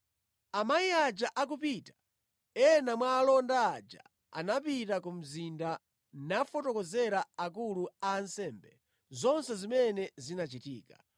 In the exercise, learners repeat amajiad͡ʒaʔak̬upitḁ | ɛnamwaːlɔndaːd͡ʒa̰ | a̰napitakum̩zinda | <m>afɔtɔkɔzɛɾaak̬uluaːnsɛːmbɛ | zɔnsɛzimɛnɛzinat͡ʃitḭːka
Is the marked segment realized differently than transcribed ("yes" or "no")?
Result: yes